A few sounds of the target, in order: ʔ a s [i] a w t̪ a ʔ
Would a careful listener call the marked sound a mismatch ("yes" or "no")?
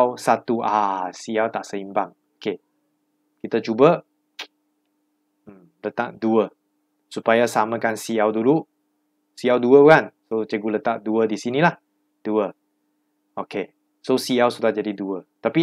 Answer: no